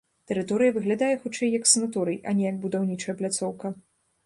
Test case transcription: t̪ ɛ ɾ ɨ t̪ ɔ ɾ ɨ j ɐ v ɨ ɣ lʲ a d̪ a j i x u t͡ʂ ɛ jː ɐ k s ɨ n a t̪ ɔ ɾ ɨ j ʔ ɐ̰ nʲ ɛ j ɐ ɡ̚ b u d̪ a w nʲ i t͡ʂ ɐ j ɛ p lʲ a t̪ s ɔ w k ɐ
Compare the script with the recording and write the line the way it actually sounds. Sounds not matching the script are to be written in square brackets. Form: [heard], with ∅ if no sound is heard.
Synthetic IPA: t̪ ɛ ɾ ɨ t̪ ɔ ɾ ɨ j ɐ v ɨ ɣ lʲ a d̪ a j [ɛ] x u t͡ʂ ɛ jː ɐ k s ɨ n a t̪ ɔ ɾ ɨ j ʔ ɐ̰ nʲ ɛ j ɐ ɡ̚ b u d̪ a w nʲ i t͡ʂ ɐ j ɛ p lʲ a t̪ s ɔ w k ɐ